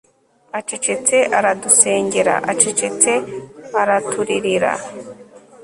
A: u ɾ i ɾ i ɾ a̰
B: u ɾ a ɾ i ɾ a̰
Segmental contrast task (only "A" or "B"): A